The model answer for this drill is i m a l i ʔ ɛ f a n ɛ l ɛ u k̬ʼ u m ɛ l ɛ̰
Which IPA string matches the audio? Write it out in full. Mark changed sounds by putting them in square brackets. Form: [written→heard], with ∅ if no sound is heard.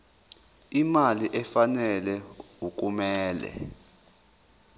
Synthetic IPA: i m a l i ʔ ɛ f a n ɛ l ɛ u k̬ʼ u m [ɛ→ɛː] l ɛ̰